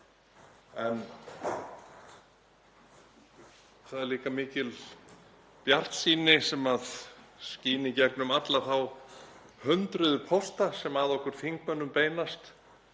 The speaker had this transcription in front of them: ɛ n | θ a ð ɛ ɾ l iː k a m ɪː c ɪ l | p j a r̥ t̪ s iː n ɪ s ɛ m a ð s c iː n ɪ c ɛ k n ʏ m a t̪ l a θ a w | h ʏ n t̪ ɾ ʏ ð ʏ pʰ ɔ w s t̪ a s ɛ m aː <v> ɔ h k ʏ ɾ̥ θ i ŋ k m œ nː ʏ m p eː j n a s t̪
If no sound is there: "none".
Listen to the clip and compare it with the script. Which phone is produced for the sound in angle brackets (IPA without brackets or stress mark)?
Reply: ð